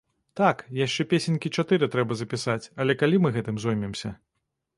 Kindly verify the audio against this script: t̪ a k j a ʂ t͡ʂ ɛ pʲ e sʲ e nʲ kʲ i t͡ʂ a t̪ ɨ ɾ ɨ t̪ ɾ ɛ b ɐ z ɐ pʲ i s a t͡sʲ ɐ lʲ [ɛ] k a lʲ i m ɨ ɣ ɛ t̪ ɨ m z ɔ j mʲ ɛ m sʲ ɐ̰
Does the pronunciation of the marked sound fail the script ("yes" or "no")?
no